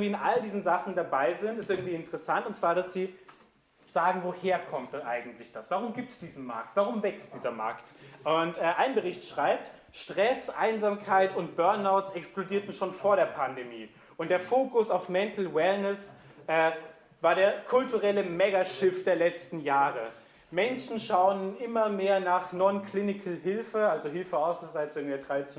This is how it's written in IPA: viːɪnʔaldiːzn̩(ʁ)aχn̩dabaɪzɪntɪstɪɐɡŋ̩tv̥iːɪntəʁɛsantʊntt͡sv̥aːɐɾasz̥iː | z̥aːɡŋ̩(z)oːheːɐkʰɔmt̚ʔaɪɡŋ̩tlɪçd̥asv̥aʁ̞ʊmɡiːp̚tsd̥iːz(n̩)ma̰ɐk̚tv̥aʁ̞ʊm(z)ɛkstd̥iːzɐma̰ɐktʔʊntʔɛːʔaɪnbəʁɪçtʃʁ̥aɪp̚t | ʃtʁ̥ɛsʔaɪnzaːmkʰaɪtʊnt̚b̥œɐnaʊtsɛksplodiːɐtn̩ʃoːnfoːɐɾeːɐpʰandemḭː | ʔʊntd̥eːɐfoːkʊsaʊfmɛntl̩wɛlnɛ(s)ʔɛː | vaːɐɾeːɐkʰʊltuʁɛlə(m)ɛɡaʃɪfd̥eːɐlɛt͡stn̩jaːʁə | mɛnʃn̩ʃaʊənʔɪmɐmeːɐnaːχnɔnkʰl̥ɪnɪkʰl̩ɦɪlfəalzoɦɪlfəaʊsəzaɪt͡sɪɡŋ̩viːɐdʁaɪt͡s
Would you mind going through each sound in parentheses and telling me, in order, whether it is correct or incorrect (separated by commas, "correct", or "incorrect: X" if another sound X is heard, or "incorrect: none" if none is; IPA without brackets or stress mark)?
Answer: incorrect: z, incorrect: v, correct, incorrect: v, correct, correct